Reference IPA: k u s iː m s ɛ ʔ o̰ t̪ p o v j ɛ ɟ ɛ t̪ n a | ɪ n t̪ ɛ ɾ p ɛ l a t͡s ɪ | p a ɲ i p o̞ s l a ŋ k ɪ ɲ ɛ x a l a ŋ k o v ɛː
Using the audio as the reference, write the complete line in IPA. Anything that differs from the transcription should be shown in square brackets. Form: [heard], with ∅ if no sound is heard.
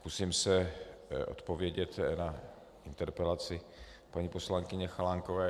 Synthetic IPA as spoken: k u s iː m s ɛ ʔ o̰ t̪ p o v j ɛ ɟ ɛ t̪ n a | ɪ n t̪ ɛ ɾ p ɛ l a t͡s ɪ | p a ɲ i p o̞ s l a ŋ k ɪ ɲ ɛ x a l a ŋ k o v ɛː